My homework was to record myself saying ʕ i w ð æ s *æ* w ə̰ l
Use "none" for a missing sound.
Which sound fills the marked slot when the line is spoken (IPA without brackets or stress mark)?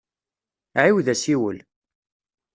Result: i